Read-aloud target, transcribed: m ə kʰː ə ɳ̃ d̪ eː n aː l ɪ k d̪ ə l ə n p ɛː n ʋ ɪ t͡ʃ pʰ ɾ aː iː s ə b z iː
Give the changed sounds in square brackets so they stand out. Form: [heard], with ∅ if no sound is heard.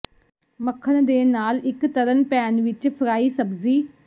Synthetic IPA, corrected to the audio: m ə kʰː ə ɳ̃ d̪ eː n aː l ɪ k [t̪] ə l ə n p ɛː n ʋ ɪ t͡ʃ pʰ ɾ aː iː s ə b z iː